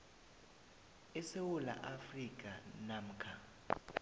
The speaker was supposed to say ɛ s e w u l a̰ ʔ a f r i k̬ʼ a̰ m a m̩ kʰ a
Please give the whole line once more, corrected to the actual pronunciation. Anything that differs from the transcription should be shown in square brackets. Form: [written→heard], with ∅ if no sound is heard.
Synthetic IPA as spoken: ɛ s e w u l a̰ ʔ a f r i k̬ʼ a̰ [m→n] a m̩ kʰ a